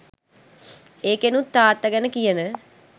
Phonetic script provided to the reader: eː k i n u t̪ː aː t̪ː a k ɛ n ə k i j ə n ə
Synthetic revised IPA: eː k e n u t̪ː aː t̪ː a ɡ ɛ n ə k i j ə n ə